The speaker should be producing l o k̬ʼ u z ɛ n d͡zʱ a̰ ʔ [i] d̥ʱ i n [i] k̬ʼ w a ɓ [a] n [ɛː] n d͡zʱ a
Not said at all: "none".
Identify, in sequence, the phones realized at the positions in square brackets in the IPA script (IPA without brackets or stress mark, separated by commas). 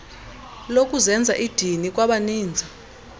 i, i, a, iː